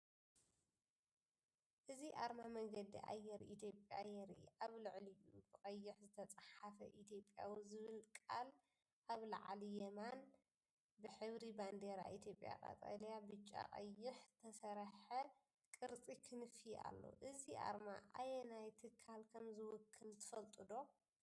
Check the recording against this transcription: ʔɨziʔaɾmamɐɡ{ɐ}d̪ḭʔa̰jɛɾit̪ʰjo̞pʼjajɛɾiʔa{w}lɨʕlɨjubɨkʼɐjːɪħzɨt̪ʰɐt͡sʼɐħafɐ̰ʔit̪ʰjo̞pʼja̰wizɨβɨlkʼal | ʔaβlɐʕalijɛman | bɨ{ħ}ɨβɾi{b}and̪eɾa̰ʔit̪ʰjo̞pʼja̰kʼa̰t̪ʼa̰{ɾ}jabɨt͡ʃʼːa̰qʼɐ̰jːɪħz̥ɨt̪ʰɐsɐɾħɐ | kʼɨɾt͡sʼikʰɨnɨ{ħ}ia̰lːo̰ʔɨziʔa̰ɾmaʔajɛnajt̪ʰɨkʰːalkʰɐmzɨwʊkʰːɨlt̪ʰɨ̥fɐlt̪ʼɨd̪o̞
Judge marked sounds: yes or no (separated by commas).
yes, no, yes, yes, no, no